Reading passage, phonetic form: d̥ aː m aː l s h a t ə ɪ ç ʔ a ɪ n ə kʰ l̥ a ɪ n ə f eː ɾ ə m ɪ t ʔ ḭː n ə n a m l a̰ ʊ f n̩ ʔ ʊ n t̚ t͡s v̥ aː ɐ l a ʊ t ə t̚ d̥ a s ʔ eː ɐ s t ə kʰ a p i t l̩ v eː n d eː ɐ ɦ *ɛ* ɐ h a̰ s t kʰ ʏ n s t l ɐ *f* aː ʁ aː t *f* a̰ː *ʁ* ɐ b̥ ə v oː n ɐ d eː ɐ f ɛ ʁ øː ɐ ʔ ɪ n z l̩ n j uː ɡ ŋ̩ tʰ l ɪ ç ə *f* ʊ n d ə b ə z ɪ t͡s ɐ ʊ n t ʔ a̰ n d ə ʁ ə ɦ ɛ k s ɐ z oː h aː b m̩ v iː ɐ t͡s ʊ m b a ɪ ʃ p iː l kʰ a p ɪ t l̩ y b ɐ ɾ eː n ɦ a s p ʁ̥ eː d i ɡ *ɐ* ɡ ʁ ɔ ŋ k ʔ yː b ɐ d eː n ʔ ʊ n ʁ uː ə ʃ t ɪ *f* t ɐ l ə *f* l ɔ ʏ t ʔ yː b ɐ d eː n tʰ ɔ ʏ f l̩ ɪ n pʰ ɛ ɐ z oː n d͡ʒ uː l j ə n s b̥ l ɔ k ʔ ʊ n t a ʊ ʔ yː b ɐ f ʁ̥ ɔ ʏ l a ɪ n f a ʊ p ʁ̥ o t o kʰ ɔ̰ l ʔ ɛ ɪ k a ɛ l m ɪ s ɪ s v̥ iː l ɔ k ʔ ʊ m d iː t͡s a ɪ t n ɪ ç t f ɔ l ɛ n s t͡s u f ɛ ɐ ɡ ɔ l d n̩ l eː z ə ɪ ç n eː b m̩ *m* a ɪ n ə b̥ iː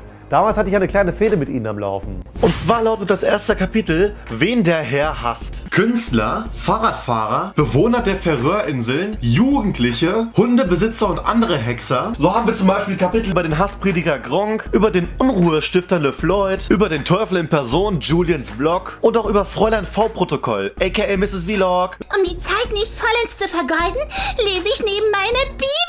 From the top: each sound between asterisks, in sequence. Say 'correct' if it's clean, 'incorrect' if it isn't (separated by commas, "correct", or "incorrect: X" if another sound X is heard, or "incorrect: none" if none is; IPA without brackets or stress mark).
correct, correct, correct, correct, incorrect: h, correct, correct, correct, correct